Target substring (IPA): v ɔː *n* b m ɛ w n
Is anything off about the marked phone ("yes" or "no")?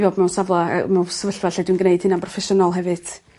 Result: yes